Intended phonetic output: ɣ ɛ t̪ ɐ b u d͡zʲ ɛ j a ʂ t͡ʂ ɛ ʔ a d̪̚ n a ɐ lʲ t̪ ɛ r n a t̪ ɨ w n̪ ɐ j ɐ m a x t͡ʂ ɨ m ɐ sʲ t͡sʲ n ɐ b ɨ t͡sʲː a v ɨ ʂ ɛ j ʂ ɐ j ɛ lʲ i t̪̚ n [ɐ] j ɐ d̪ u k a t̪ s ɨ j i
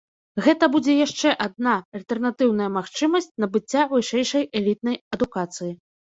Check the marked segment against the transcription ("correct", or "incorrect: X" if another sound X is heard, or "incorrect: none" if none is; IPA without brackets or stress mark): correct